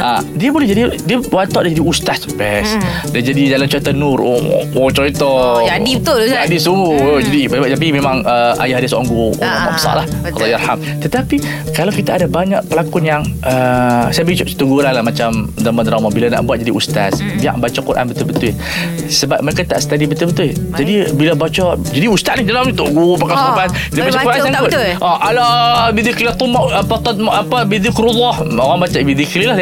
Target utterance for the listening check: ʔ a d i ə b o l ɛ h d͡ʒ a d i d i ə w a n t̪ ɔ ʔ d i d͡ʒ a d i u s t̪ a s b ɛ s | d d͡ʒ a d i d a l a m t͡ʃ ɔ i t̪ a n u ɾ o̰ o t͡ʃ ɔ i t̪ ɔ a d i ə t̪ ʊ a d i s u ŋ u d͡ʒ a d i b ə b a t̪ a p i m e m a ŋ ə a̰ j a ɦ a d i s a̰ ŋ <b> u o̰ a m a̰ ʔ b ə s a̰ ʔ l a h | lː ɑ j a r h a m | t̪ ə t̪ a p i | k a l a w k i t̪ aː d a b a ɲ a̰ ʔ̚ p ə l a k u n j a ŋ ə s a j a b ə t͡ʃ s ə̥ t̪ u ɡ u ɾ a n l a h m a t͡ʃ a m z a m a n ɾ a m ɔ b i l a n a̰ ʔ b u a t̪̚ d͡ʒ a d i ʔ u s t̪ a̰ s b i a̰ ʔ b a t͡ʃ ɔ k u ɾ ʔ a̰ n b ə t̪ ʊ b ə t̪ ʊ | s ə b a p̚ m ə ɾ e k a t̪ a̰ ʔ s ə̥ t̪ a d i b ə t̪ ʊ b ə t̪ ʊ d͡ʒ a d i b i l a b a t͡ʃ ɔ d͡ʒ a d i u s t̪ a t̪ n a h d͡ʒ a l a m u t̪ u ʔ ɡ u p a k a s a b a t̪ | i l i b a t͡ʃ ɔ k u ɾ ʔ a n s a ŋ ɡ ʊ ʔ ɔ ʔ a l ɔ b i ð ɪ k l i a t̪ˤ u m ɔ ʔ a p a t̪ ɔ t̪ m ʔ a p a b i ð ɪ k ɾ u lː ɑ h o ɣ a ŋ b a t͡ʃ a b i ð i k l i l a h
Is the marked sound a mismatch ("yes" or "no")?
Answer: yes